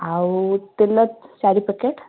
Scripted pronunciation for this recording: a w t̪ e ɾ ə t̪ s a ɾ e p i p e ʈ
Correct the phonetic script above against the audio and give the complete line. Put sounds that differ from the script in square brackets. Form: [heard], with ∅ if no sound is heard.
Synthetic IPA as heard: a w t̪ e [l] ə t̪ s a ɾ [i] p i [k] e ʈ

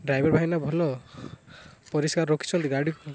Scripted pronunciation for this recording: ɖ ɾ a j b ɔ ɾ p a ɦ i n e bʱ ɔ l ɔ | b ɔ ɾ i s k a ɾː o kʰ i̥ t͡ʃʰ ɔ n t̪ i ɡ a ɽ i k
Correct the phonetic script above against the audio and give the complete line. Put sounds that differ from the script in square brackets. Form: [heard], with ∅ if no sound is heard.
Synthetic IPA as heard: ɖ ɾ a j b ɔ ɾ [b] a ɦ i n [a] bʱ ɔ l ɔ | [p] ɔ ɾ i s k a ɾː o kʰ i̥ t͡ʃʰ ɔ n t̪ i ɡ a ɽ i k

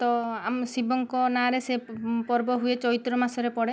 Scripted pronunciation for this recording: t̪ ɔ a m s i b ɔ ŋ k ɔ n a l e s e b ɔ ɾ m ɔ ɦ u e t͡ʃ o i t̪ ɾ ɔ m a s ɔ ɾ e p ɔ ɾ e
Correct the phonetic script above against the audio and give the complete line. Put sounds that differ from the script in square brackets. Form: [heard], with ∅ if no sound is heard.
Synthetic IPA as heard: t̪ ɔ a m s i b ɔ ŋ k ɔ n a [ɾ] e s e [p] ɔ ɾ [b] ɔ ɦ u e t͡ʃ [ɔ] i t̪ ɾ ɔ m a s ɔ ɾ e p ɔ [ɽ] e

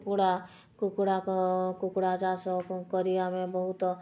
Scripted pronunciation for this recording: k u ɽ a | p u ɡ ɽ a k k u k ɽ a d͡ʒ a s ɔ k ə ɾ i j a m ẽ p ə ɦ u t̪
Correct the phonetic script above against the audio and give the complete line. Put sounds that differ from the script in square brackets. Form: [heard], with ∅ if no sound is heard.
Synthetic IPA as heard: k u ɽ a | [k] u [k] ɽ a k k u k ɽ a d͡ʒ a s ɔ k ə ɾ i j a m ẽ [b] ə ɦ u t̪

